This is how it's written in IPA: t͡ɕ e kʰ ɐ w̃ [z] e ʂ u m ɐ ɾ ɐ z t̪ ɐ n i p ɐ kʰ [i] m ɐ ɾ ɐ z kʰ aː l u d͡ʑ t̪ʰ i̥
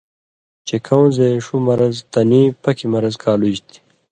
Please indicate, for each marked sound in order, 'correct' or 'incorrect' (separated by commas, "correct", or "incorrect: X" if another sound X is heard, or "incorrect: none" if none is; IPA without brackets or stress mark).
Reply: correct, correct